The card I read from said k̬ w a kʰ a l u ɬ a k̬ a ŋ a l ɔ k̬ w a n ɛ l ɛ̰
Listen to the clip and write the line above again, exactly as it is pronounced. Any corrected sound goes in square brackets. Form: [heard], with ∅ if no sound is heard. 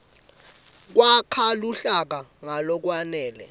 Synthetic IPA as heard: k̬ w a kʰ a l u ɬ a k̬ a ŋ a l ɔ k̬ w a n [ɛː] l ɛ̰